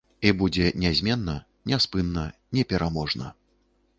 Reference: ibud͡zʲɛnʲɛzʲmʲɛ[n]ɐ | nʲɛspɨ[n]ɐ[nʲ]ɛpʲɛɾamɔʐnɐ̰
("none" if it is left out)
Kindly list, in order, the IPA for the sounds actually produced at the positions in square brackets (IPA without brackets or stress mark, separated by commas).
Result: nː, nː, nʲ